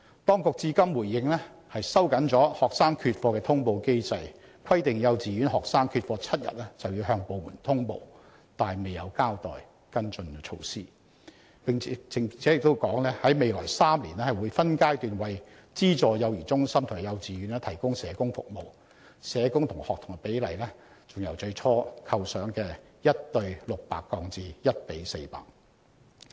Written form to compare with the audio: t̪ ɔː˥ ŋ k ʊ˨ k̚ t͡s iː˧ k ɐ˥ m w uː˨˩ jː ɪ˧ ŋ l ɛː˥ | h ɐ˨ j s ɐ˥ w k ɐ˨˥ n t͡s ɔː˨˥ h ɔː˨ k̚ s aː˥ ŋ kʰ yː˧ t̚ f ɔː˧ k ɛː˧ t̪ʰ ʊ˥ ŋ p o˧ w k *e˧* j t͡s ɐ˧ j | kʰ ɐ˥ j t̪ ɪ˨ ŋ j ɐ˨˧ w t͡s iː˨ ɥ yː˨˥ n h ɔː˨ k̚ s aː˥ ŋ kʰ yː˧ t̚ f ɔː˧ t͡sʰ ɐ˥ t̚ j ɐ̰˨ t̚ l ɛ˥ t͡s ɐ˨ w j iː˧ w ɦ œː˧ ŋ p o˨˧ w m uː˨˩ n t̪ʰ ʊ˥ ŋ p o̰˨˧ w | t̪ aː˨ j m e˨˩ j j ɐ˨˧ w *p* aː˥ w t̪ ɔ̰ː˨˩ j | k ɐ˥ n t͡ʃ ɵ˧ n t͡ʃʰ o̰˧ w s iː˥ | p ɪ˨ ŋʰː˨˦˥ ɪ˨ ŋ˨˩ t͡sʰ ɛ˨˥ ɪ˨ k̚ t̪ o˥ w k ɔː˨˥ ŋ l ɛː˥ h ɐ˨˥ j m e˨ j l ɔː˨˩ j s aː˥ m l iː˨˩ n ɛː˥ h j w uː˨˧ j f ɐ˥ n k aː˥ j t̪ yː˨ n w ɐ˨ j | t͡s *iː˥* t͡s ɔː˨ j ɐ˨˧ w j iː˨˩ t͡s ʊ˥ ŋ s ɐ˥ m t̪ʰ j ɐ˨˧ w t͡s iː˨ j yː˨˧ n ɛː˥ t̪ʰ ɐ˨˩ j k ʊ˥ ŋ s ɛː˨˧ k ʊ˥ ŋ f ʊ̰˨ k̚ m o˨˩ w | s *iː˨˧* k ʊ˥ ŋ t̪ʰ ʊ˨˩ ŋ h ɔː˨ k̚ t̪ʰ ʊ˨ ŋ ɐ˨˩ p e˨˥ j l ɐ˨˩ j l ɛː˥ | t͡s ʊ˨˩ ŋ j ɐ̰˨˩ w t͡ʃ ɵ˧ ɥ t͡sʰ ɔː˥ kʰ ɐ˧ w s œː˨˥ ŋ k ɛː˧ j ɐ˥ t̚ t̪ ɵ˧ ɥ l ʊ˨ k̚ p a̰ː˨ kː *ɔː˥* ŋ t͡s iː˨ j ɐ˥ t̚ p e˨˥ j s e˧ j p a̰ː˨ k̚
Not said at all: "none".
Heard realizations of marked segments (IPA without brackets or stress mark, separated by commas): e˥, k, iː˥, ɛː˨˧, ɔː˧